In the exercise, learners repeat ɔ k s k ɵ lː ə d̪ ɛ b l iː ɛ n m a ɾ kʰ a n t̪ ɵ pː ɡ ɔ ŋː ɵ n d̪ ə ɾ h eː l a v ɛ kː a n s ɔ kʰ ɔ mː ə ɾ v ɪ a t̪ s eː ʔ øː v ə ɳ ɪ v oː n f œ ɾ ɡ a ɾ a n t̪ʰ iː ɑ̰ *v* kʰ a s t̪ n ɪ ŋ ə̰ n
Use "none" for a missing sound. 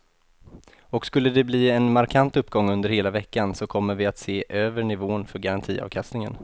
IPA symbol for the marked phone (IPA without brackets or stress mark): v